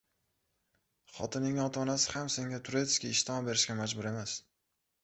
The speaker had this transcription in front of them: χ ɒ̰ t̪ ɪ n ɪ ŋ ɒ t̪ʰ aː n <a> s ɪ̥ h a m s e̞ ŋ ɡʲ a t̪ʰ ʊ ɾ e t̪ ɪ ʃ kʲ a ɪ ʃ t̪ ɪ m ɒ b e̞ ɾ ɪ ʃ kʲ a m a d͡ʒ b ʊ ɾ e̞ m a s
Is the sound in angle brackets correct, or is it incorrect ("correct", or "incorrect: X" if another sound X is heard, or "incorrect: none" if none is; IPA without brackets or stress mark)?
correct